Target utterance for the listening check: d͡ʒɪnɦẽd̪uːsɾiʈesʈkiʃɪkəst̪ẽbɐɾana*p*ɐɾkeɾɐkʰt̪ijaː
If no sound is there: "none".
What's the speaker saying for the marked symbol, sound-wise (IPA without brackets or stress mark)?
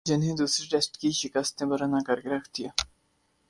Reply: k